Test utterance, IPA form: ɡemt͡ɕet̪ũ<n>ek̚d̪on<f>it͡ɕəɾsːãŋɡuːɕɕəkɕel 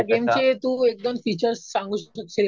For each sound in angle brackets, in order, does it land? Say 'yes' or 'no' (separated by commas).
no, yes